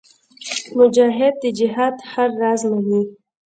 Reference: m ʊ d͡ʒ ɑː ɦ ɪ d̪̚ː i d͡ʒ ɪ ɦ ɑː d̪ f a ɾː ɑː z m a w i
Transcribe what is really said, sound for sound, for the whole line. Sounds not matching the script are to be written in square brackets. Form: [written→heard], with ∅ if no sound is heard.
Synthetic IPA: m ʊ d͡ʒ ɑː ɦ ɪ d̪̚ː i d͡ʒ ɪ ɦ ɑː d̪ [f→h] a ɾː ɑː z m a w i